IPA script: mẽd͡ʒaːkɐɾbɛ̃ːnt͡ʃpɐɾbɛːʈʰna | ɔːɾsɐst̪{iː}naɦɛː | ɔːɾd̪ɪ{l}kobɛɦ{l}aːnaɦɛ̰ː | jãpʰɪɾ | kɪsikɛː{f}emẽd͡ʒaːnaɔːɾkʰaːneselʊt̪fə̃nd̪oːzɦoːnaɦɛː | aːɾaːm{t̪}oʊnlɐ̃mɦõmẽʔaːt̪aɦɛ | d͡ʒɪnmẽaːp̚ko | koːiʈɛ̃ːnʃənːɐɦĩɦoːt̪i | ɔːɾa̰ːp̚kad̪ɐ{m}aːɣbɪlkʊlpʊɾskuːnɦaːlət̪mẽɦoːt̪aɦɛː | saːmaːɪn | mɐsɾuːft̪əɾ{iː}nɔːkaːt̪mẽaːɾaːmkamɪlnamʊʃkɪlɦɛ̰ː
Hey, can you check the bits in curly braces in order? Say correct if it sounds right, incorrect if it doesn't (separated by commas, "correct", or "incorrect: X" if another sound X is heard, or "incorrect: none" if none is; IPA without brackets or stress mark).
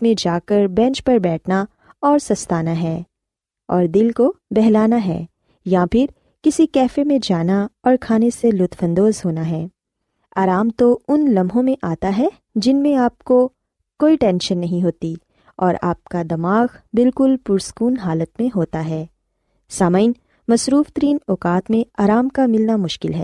incorrect: aː, correct, correct, correct, correct, correct, correct